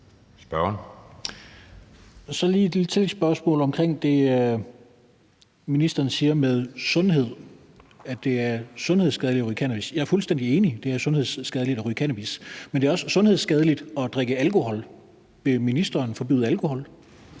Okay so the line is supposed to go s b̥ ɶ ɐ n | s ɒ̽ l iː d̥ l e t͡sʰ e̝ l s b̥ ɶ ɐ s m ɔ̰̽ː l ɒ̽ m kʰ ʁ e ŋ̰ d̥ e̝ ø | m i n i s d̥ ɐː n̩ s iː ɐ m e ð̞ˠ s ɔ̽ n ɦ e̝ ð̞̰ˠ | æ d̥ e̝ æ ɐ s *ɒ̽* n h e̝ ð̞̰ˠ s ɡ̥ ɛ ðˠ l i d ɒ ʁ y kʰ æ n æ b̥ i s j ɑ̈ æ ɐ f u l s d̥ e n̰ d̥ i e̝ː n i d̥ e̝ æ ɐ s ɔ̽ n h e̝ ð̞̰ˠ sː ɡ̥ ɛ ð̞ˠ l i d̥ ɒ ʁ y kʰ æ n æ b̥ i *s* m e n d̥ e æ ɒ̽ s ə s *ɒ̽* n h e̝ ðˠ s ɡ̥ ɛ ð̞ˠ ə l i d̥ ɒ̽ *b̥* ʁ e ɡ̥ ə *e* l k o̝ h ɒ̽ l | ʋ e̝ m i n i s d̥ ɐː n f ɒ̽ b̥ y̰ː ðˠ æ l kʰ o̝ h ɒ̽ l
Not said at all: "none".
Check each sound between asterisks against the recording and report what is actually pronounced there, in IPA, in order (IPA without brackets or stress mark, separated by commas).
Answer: ɔ̽, s, ɔ̽, d̥, æ